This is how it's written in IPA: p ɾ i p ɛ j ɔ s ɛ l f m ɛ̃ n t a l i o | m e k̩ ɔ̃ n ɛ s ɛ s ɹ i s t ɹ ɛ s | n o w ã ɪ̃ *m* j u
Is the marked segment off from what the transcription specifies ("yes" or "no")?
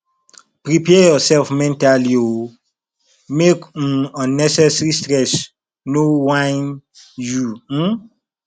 yes